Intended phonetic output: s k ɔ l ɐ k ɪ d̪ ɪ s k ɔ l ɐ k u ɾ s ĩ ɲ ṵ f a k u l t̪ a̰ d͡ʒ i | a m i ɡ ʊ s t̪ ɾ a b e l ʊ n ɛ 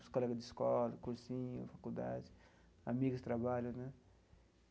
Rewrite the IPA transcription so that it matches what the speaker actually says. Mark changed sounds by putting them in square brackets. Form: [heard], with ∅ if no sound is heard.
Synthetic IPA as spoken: s k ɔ l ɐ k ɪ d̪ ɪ s k ɔ l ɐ k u ɾ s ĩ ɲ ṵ f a k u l [d̪] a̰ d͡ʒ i | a m i ɡ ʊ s t̪ ɾ a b [a] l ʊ n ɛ